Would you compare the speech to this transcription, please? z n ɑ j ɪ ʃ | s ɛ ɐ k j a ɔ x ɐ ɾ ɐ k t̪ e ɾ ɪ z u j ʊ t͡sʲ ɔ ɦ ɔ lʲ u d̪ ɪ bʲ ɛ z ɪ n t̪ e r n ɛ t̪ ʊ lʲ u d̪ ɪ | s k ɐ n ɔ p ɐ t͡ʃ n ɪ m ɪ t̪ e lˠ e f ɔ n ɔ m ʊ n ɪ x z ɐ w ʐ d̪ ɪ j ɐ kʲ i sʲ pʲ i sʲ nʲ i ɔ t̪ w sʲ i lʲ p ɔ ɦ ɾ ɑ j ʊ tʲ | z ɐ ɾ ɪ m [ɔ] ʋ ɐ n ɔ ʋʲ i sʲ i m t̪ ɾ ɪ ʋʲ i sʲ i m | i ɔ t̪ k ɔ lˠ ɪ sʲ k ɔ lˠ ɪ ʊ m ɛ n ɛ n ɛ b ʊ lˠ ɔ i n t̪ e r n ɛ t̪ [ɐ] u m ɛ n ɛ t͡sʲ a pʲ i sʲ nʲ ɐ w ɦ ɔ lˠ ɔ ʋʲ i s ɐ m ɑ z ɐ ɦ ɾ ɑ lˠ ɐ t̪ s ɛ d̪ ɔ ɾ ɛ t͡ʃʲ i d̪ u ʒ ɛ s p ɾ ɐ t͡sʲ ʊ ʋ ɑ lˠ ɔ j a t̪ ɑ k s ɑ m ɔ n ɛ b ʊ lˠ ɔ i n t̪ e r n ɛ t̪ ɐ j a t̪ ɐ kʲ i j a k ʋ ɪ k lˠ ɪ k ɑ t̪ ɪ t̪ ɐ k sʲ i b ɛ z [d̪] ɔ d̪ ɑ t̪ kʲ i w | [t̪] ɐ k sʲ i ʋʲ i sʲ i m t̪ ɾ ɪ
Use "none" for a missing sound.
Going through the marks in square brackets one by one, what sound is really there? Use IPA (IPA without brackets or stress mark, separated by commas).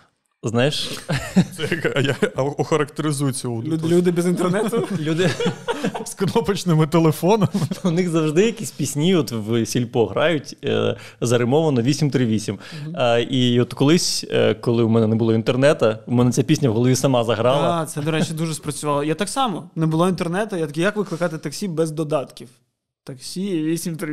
ɔ, ɐ, d̪, t̪